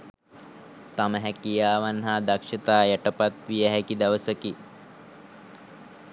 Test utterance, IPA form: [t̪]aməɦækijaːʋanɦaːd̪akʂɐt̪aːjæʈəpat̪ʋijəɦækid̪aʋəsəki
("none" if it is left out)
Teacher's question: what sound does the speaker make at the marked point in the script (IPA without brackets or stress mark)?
t̪